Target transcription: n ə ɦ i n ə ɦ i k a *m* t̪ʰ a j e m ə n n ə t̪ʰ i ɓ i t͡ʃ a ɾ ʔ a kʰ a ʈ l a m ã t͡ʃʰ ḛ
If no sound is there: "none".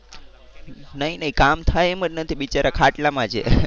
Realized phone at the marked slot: m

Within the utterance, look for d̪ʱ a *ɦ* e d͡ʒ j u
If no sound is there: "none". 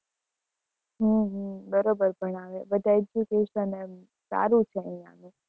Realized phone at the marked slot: none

